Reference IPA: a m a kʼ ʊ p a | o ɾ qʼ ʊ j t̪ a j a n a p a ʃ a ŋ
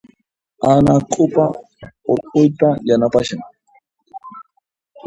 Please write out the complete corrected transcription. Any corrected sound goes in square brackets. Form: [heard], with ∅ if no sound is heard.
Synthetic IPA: a [n] a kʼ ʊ p a | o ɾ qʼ ʊ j t̪ a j a n a p a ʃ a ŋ